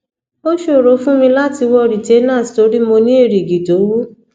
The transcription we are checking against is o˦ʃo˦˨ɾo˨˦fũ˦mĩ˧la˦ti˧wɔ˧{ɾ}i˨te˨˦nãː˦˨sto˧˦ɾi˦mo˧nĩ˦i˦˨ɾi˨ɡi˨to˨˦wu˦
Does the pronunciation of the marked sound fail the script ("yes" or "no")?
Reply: no